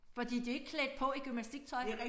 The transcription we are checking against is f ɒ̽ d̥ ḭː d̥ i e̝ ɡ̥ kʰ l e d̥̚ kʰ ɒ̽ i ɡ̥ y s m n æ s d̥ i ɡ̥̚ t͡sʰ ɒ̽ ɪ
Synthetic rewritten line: f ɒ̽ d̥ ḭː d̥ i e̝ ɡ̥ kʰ l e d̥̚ pʰ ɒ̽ i ɡ̥ y m n æ s d̥ i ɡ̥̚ t͡sʰ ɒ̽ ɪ